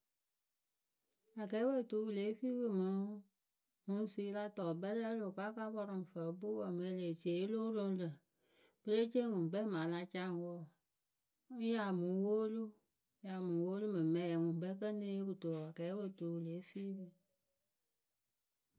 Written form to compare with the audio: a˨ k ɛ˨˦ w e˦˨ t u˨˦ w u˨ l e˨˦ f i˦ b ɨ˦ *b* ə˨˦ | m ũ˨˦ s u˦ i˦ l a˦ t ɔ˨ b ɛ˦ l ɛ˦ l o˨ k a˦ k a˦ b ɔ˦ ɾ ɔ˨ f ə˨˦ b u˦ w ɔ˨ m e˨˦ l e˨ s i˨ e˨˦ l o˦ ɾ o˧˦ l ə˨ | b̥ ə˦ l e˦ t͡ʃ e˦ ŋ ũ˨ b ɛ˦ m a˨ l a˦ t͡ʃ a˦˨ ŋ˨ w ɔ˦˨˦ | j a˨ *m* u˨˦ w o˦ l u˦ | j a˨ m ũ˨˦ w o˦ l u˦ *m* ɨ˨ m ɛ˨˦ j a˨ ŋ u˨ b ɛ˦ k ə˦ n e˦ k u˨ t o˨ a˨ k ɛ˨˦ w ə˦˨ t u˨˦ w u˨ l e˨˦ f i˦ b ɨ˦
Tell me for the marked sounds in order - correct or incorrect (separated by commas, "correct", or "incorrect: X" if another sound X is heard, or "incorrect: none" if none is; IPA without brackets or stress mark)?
incorrect: m, correct, correct